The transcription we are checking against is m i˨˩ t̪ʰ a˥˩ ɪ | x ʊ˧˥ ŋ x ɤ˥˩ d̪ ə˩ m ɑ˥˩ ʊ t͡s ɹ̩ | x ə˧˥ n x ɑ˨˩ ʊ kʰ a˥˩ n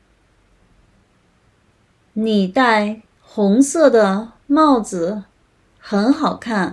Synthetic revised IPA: n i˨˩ t̪ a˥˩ ɪ | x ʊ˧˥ ŋ s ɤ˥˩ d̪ ə˩ m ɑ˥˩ ʊ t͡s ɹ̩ | x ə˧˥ n x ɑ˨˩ ʊ kʰ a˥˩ n